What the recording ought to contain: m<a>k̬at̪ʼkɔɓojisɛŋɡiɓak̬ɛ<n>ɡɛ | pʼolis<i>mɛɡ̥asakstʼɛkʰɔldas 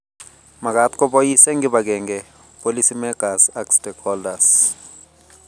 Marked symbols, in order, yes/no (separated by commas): yes, no, yes